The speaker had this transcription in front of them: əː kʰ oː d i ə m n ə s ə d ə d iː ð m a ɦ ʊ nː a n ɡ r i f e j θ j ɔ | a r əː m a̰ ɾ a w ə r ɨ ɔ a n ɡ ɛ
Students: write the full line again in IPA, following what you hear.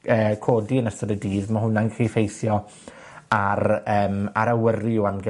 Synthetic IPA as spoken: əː kʰ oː d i ə n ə s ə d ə d iː ð m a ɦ ʊ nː a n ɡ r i f e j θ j ɔ | a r əː m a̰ ɾ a w ə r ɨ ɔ a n ɡ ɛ